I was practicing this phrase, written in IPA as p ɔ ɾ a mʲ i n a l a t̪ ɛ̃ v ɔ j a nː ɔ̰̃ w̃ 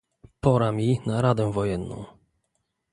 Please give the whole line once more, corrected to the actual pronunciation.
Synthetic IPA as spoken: p ɔ ɾ a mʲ i n a ɾ a d̪ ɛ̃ v ɔ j ɛ nː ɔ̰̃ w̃